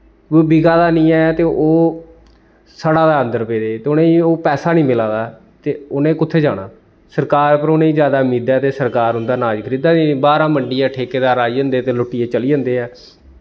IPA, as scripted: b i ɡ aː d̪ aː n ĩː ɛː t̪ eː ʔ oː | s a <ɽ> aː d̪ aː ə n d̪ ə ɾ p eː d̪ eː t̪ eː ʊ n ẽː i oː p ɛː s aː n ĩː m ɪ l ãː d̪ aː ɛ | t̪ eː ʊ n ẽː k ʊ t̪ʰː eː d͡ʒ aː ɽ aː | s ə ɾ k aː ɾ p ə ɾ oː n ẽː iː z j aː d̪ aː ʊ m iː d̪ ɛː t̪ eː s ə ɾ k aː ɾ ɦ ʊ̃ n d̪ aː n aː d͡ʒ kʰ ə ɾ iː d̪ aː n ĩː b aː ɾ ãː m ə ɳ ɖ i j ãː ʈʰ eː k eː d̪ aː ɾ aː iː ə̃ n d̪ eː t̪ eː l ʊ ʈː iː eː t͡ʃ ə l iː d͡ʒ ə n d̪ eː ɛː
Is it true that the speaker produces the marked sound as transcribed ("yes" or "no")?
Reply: yes